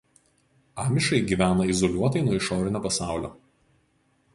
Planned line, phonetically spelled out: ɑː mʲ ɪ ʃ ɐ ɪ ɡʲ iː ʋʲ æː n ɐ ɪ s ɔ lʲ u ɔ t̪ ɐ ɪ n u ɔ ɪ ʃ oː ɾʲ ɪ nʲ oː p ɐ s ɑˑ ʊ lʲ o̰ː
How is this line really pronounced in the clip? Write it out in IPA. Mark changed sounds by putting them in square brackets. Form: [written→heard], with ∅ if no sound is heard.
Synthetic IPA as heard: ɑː mʲ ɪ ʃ ɐ ɪ ɡʲ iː ʋʲ æː n ɐ ɪ [s→z] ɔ lʲ u ɔ t̪ ɐ ɪ n u ɔ ɪ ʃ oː ɾʲ ɪ nʲ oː p ɐ s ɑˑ ʊ lʲ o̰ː